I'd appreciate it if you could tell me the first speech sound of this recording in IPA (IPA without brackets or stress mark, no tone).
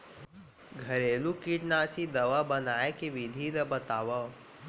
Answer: ɡʱ